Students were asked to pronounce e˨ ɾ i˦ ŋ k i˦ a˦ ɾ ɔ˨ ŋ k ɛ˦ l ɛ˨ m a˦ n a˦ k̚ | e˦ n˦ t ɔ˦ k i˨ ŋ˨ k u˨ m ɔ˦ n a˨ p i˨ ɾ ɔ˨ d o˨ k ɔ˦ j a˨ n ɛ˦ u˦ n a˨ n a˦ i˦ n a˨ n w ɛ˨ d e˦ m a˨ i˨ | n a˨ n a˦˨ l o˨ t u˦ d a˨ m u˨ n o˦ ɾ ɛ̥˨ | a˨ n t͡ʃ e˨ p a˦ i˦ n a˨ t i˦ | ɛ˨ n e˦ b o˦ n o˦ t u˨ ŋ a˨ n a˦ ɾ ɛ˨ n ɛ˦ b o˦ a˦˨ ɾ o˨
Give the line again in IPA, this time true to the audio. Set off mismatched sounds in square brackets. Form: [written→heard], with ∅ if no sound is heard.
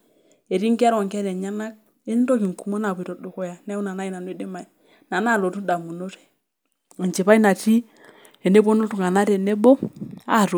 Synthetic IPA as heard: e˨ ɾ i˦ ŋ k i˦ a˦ ɾ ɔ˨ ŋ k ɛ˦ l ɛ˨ [m→ɲ] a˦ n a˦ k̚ | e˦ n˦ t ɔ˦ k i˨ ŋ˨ k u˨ m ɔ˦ n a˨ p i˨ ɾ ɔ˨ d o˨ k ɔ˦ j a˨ n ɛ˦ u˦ n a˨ n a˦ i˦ n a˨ n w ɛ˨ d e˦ m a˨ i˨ | n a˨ n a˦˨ l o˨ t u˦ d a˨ m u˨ n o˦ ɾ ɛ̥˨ | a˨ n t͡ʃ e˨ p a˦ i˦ n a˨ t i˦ | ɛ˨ n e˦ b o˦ n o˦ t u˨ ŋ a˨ n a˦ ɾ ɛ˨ n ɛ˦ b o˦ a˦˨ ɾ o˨

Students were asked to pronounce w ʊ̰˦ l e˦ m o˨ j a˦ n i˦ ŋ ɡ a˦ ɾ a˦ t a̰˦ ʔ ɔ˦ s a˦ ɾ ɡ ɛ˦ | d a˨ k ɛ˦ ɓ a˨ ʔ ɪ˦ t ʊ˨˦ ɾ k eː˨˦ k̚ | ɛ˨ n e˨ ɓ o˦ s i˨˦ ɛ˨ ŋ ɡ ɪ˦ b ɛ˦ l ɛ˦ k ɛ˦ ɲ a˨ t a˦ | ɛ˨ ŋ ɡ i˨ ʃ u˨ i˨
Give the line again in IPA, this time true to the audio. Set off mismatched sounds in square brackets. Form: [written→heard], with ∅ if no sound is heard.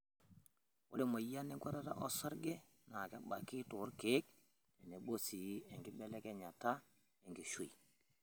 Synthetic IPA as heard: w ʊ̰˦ l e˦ m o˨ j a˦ n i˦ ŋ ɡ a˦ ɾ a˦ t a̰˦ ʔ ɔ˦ s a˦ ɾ ɡ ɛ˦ | [d→n] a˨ k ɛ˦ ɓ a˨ [ʔ→k] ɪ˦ t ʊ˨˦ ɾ k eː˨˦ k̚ | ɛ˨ n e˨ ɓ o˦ s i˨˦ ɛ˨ ŋ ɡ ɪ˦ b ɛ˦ l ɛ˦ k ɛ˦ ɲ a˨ t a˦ | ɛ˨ ŋ ɡ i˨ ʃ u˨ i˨

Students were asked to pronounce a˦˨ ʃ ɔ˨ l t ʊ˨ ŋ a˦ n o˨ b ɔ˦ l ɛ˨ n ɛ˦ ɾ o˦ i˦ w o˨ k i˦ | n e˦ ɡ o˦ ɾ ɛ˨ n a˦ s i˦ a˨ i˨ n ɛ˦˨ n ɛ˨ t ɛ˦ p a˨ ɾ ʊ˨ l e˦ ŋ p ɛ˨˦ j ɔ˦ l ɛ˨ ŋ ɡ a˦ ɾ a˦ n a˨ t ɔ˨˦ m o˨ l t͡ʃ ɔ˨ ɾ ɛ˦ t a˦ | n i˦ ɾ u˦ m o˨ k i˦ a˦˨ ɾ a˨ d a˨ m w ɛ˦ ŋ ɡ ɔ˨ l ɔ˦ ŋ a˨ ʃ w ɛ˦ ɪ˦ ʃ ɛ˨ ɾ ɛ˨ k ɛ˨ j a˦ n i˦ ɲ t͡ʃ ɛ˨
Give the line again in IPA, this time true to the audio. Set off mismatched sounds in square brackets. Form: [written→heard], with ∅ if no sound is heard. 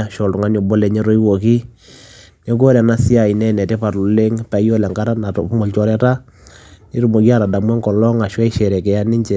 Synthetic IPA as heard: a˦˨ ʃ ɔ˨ l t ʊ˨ ŋ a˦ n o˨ b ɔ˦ l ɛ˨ [n→ɲ] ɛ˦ ɾ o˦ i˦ w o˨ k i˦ | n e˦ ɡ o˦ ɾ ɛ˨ n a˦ s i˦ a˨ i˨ n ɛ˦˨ n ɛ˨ t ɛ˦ p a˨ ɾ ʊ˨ l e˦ ŋ p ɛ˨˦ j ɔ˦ l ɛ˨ ŋ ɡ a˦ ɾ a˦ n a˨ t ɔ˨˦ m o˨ l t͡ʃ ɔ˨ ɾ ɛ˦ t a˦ | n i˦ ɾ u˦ m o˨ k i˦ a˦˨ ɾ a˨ d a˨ m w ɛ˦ ŋ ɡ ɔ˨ l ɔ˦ ŋ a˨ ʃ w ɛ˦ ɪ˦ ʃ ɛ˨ ɾ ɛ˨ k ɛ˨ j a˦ n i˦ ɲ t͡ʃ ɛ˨

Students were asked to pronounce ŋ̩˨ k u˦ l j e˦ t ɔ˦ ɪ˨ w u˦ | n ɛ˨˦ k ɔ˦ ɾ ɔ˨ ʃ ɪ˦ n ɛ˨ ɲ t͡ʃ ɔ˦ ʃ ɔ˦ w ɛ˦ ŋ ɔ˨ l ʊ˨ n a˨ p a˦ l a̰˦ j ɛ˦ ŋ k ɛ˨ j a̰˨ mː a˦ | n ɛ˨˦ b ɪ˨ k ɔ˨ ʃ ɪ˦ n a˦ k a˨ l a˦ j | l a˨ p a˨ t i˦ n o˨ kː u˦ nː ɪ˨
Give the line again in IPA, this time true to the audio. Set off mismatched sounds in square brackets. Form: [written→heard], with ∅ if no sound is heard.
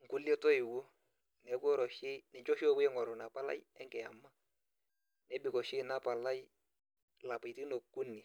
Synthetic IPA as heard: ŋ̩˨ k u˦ l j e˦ t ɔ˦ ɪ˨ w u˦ | n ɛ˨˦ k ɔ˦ ɾ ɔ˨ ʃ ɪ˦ n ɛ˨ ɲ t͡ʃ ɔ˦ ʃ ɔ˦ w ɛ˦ ŋ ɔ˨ [l→ɾ] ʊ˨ n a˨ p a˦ l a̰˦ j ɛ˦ ŋ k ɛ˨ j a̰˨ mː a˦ | n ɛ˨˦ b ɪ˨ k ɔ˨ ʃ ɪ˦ n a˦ [k→p] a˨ l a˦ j | l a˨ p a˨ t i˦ n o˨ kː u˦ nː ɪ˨

